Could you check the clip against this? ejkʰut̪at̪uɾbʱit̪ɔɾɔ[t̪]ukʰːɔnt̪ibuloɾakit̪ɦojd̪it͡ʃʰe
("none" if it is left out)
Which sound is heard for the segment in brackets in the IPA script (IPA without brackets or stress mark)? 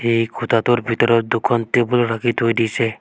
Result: d̪